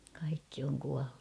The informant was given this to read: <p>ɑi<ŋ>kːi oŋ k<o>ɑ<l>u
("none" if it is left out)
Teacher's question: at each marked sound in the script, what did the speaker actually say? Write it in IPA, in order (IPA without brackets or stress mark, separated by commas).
k, none, u, lː